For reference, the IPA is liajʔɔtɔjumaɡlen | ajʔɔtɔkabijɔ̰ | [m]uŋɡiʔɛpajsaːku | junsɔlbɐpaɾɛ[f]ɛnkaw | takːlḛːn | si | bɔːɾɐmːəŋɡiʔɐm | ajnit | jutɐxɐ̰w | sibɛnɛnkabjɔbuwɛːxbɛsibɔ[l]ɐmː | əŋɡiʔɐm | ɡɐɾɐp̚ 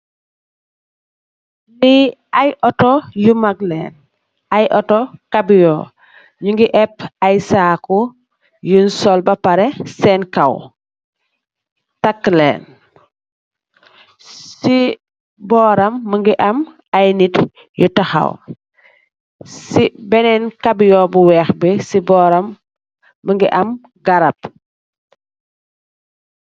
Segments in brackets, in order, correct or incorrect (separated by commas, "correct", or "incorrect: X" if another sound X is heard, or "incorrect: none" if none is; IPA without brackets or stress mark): incorrect: ɲ, incorrect: s, incorrect: ɾ